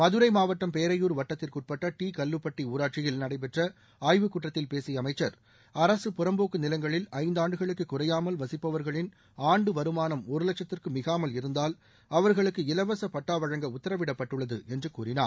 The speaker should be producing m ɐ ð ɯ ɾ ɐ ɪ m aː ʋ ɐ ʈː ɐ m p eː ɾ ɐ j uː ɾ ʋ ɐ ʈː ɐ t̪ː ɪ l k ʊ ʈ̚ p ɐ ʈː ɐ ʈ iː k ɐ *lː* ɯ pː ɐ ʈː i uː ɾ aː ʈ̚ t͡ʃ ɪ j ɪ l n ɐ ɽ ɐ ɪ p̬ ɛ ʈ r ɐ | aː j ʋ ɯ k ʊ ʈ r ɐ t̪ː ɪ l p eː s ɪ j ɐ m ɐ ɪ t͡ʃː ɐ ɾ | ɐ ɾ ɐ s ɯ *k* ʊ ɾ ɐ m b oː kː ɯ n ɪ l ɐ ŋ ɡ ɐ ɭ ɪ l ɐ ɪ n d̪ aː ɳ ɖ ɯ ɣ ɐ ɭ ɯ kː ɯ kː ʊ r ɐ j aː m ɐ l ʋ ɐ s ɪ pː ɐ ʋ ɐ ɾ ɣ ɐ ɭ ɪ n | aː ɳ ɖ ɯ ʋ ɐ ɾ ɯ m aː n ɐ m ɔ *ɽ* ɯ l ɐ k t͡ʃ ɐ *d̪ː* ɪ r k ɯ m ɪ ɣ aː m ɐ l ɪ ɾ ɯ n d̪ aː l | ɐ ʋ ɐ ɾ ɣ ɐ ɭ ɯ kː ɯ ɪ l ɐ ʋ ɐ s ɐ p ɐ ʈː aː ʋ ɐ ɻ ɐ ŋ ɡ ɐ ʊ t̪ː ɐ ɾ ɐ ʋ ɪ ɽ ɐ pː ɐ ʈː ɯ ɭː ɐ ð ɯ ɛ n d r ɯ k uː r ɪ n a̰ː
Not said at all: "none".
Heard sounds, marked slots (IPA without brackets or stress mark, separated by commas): lː, p, ɾ, t̪ː